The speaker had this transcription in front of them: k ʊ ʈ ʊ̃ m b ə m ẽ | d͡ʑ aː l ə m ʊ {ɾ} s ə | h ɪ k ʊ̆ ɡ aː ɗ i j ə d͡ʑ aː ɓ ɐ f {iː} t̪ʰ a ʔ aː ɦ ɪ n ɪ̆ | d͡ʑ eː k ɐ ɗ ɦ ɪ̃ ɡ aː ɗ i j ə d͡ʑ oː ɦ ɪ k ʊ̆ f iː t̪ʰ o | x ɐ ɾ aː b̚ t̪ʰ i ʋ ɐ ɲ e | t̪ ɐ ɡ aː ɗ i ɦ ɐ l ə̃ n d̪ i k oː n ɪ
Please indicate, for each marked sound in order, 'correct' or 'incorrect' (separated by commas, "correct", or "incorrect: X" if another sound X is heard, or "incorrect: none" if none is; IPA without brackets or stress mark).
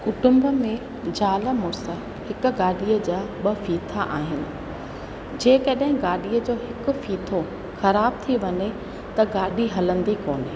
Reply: correct, correct